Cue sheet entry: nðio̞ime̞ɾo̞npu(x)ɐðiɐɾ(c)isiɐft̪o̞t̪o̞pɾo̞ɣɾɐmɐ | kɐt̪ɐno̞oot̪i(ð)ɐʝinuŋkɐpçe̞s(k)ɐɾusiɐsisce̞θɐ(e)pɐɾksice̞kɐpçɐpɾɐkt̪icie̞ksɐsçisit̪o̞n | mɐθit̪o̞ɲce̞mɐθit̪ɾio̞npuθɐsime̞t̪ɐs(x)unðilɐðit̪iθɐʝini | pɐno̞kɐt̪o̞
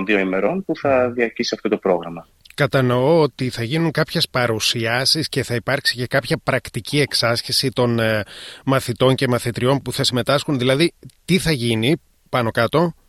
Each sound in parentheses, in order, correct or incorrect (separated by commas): incorrect, correct, incorrect, incorrect, incorrect, correct